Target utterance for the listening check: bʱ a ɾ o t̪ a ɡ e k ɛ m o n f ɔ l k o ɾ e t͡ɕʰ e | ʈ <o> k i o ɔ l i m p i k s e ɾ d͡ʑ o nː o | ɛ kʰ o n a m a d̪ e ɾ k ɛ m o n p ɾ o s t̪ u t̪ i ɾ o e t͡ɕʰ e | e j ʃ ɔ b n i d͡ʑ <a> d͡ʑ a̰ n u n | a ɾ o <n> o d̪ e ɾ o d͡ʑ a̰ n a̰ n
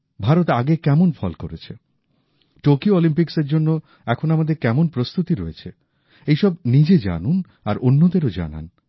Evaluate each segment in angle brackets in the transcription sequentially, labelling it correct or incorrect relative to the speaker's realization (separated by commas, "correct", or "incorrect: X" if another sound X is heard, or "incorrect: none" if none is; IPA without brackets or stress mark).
correct, incorrect: e, incorrect: nː